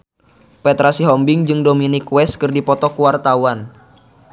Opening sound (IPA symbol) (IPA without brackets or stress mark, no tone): p